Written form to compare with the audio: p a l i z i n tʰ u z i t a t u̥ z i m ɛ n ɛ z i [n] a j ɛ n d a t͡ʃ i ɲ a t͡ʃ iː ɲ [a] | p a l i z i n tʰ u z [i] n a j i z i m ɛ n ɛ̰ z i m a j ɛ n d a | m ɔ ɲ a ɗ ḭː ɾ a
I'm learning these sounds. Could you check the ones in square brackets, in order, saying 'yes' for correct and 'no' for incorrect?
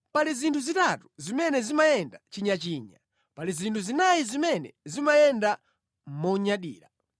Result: no, yes, yes

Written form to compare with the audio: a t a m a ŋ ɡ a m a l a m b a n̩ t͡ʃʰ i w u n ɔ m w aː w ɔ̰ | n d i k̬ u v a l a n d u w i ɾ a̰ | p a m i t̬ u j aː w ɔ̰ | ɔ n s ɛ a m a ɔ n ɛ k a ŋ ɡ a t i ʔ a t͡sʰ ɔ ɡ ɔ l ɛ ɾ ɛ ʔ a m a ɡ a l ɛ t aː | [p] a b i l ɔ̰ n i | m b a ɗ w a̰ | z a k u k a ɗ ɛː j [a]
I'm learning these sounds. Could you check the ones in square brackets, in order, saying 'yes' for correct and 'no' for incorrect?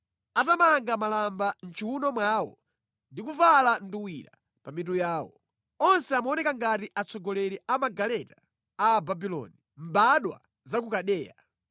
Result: no, yes

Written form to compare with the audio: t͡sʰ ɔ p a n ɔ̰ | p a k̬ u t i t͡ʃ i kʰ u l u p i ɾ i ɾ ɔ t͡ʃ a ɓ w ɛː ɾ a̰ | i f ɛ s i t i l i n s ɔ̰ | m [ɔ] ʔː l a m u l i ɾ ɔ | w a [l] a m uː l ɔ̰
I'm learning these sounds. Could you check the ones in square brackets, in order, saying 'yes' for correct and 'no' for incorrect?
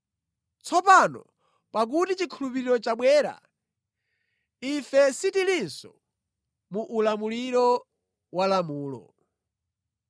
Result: no, yes

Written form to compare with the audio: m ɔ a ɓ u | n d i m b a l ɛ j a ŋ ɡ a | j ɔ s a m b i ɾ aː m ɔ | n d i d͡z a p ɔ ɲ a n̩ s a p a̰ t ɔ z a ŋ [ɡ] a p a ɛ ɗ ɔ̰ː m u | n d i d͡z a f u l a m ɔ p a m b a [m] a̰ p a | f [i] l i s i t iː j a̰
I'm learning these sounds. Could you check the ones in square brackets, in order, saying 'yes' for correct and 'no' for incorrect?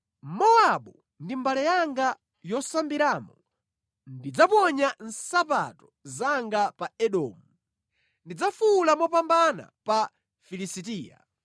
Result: yes, no, yes

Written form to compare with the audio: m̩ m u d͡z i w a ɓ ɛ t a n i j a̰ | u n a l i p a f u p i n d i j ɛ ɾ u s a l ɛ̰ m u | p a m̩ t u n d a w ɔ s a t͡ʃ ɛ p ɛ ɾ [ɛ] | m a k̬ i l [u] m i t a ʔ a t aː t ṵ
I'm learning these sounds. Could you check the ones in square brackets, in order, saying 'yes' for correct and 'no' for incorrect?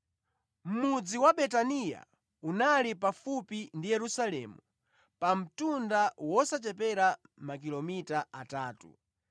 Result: no, no

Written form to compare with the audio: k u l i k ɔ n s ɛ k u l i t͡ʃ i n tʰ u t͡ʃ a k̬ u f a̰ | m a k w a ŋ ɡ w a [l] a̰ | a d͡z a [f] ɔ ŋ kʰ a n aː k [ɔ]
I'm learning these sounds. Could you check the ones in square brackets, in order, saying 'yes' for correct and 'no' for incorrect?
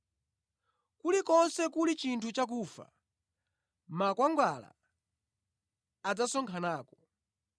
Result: yes, no, yes

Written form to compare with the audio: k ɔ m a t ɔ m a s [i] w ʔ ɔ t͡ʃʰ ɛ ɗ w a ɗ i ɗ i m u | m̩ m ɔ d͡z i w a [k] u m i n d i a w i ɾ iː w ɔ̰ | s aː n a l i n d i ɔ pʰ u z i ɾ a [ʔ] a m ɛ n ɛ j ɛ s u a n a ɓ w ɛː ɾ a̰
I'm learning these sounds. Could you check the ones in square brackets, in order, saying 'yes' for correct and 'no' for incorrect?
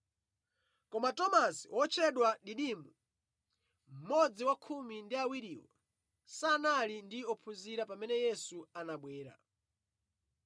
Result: yes, no, no

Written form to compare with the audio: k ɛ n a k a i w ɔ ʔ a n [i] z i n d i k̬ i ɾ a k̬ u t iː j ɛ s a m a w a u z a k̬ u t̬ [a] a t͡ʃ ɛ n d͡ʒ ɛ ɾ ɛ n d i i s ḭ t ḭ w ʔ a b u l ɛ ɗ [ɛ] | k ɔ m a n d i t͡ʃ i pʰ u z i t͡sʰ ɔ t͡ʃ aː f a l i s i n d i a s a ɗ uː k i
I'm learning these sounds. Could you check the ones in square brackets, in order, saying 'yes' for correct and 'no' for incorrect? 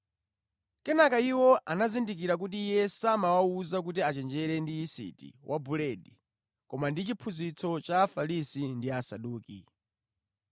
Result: no, no, no

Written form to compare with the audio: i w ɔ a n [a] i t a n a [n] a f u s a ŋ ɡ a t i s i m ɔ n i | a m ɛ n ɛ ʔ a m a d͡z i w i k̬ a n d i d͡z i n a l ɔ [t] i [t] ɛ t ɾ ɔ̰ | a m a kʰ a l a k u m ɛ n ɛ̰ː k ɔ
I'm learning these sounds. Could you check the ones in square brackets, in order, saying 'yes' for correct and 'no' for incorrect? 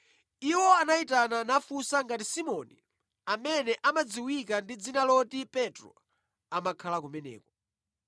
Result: yes, yes, yes, no

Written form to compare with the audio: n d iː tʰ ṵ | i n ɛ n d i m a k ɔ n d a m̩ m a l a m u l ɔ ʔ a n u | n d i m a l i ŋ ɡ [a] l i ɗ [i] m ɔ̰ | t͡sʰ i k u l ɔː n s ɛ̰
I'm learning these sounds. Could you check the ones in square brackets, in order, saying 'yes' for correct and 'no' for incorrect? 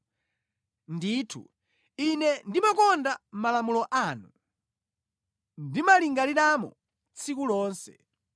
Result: yes, no

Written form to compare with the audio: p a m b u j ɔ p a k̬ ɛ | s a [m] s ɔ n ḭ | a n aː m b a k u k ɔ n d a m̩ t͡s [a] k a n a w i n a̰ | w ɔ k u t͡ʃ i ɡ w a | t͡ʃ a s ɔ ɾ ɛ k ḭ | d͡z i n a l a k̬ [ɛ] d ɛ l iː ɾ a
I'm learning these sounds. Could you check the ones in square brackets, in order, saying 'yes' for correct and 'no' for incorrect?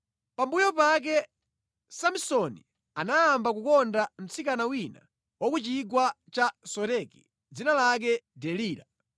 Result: yes, no, yes

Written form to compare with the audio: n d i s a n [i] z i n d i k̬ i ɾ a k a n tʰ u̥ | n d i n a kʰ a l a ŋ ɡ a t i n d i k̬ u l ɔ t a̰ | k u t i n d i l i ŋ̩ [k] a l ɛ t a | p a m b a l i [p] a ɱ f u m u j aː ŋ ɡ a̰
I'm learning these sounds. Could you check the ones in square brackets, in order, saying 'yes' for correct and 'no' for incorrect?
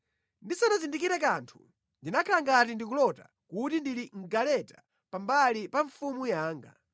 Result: no, no, yes

